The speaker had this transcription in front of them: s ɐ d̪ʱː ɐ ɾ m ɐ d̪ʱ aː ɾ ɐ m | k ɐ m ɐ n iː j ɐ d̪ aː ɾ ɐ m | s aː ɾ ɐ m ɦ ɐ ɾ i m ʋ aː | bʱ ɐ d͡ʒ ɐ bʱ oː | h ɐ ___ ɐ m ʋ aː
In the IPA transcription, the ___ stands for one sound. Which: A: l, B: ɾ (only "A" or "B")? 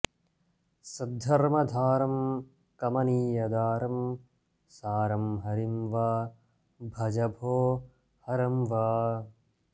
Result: B